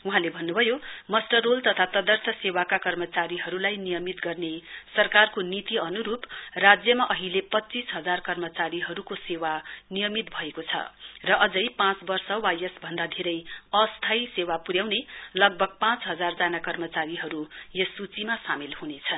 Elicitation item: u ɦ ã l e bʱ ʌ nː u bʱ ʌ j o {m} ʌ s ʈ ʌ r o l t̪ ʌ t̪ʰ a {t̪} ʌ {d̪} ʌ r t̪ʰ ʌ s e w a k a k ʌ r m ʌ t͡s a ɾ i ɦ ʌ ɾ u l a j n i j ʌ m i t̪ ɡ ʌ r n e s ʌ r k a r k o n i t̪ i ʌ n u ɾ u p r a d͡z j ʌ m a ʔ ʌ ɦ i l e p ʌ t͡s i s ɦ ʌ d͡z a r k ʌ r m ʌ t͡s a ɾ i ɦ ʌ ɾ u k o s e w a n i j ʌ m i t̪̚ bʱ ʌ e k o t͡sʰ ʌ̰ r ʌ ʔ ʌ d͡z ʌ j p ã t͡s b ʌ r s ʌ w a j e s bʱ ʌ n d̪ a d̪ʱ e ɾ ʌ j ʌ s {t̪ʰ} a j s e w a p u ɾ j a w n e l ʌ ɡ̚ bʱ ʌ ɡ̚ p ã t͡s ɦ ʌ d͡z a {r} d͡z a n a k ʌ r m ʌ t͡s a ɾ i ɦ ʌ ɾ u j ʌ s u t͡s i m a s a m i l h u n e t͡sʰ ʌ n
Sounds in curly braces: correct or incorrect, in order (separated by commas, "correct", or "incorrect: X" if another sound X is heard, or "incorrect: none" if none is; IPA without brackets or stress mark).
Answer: correct, correct, correct, correct, correct